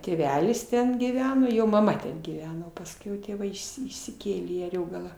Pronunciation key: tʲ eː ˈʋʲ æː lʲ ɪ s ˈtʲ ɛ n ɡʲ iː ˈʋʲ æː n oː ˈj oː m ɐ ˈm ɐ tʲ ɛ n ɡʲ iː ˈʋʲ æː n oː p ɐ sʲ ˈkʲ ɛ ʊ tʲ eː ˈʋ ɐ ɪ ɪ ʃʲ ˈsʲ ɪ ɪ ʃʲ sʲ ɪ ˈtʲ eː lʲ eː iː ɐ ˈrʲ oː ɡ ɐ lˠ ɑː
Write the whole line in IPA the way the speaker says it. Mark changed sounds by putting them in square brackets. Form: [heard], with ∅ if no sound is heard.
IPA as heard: tʲ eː ˈʋʲ æː lʲ ɪ s ˈtʲ ɛ n ɡʲ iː ˈʋʲ æː n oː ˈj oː m ɐ ˈm ɐ tʲ ɛ n ɡʲ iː ˈʋʲ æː n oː p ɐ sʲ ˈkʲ ɛ ʊ tʲ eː ˈʋ ɐ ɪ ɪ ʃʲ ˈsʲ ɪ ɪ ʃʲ sʲ ɪ [ˈkʲ] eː lʲ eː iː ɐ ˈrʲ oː ɡ ɐ lˠ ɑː